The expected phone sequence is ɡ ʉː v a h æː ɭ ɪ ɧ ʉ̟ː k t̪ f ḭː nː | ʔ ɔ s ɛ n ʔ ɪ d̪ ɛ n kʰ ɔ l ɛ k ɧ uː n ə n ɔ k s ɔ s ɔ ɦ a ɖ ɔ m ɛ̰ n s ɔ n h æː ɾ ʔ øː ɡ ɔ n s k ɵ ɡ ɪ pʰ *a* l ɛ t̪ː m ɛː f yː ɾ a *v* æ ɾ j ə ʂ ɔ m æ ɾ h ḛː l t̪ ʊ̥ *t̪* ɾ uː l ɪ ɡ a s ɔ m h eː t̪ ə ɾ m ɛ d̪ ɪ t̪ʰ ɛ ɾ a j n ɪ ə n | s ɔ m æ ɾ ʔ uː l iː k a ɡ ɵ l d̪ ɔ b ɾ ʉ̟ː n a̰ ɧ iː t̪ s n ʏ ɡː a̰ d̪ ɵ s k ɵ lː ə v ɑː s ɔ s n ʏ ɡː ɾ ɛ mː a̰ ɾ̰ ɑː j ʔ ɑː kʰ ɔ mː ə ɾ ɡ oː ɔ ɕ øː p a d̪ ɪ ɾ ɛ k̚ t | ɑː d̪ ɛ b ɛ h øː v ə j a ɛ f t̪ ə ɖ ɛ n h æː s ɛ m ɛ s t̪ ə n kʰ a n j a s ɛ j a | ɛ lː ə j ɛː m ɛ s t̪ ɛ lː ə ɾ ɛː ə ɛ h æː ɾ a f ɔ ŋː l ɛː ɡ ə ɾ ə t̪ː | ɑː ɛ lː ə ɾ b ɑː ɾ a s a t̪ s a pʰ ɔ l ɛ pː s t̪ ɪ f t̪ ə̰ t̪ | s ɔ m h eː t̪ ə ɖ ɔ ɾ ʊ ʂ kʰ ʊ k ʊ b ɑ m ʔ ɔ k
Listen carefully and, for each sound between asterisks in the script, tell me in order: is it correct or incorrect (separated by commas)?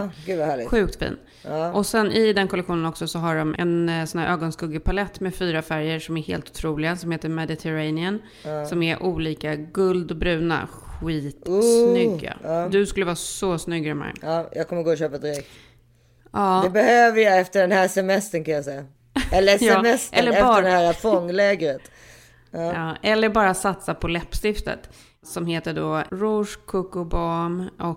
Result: correct, incorrect, incorrect